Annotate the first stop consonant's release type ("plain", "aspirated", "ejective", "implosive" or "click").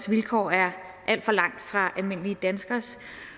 aspirated